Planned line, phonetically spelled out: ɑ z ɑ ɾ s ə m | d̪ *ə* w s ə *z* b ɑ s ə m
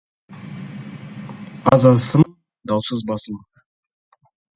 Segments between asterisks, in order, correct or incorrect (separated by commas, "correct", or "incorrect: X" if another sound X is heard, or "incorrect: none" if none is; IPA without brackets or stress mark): incorrect: ɑ, correct